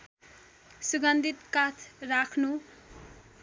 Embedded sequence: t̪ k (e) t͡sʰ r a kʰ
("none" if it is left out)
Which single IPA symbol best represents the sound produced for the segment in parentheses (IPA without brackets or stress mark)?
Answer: a